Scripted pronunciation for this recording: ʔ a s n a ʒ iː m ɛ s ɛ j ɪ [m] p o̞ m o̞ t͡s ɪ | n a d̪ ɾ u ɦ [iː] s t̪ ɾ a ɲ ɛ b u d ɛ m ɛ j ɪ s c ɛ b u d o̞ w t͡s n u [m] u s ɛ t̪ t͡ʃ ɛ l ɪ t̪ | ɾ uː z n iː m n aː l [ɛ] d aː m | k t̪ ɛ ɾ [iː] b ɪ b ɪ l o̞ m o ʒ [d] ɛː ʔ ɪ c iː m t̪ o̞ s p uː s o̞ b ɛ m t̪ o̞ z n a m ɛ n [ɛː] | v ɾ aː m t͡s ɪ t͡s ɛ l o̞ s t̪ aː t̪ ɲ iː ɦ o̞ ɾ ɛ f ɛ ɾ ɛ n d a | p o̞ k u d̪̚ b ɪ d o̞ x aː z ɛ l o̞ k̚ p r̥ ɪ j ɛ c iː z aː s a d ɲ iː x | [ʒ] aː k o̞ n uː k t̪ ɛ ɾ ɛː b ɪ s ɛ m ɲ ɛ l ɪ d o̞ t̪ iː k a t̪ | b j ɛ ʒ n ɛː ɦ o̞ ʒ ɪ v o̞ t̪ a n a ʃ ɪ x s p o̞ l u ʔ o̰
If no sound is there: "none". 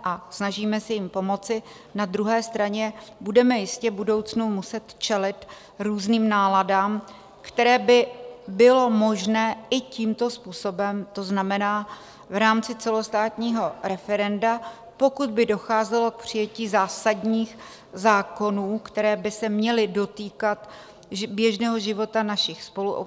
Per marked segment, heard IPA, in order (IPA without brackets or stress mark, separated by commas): m, ɛː, m, a, ɛː, n, aː, z